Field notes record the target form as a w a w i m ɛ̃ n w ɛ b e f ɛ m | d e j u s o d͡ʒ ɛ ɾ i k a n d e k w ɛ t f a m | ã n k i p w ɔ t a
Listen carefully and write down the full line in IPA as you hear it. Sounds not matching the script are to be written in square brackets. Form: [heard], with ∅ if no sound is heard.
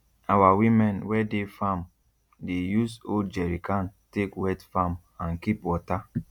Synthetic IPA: a w a w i m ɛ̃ n w ɛ [d] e f [a] m | d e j u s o d͡ʒ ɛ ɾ i k a n [t] e k w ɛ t f a m | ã n k i p w ɔ t a